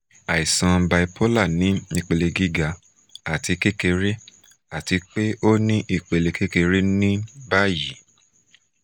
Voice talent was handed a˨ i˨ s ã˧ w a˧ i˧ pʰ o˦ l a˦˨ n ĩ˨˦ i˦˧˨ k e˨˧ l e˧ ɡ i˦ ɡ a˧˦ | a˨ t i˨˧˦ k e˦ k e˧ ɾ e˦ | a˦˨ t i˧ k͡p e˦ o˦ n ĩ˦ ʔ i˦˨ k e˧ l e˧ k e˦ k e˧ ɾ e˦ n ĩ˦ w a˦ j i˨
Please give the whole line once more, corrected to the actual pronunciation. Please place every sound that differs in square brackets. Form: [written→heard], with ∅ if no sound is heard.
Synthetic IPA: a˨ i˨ s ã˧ [w→b] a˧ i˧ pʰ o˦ l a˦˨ n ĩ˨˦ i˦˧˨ [k→k͡p] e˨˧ l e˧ ɡ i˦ ɡ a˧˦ | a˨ t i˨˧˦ k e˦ k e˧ ɾ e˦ | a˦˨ t i˧ k͡p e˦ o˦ n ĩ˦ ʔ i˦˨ [k→k͡p] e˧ l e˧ k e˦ k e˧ ɾ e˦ n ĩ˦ [w→b] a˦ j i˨